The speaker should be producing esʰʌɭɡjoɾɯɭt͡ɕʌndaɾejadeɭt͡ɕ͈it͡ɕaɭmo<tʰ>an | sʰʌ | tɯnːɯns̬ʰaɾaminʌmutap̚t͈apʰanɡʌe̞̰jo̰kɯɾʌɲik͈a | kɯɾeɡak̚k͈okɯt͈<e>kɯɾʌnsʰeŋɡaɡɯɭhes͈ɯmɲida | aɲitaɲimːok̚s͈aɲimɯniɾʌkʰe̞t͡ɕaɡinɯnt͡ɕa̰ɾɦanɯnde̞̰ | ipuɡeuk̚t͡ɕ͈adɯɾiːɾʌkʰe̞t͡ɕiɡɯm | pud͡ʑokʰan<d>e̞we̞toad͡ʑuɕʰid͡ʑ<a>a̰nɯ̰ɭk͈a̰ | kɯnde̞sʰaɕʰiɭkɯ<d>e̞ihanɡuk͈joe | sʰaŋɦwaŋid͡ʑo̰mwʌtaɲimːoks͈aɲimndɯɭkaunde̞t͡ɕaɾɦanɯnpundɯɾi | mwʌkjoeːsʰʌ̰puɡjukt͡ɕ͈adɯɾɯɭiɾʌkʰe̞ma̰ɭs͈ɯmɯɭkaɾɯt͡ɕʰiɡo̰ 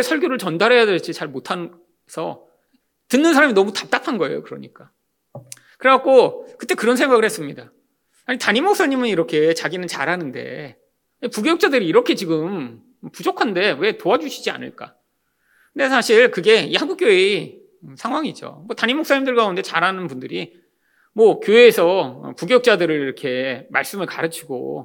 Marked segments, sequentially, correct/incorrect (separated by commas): correct, correct, correct, incorrect, incorrect